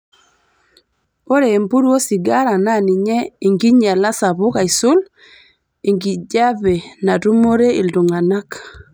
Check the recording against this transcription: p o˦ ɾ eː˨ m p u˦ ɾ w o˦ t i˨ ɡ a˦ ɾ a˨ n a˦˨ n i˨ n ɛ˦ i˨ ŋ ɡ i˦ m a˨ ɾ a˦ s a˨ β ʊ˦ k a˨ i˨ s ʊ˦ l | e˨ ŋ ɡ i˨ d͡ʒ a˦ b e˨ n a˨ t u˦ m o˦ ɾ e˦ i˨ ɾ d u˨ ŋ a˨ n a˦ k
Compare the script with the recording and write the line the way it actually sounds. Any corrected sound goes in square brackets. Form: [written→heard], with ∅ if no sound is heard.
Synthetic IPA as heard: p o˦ ɾ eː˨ m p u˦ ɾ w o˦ [t→s] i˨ ɡ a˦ ɾ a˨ n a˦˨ n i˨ [n→ɲ] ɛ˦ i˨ ŋ ɡ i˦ [m→ɲ] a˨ [ɾ→l] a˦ s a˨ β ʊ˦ k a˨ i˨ s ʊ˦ l | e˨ ŋ ɡ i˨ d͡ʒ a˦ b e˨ n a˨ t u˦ m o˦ ɾ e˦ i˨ [ɾ→l] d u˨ ŋ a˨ n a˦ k